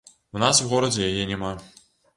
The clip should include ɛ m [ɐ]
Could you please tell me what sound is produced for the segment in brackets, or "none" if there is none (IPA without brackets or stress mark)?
a